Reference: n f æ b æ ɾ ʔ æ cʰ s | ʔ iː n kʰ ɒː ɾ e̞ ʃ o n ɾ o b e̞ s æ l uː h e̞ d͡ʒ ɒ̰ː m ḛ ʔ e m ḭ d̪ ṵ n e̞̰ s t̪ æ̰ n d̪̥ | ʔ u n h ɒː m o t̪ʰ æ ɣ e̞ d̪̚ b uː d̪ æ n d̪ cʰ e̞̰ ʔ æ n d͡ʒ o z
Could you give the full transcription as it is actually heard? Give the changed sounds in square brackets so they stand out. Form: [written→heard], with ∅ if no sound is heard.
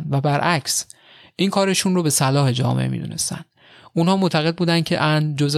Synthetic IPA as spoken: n [f→v] æ b æ ɾ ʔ æ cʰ s | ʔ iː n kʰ ɒː ɾ e̞ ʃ [o→u] n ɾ o b e̞ s æ l [uː→ɒː] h e̞ d͡ʒ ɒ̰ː m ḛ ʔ e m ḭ d̪ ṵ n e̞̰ s t̪ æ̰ n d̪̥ | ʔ u n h ɒː m o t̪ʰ æ ɣ e̞ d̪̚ b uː d̪ æ n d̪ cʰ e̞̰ ʔ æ n d͡ʒ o z